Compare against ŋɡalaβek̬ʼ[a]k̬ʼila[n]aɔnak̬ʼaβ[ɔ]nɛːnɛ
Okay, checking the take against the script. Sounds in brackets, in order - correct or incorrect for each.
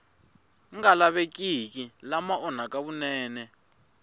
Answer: incorrect: i, incorrect: m, incorrect: u

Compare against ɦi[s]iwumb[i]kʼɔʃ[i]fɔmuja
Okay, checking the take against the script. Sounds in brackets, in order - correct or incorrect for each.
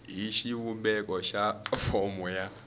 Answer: incorrect: ʃ, incorrect: ɛ, incorrect: a

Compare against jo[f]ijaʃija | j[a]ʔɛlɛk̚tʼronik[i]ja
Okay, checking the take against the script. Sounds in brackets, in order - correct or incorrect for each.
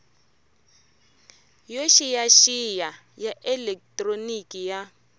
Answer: incorrect: ʃ, correct, correct

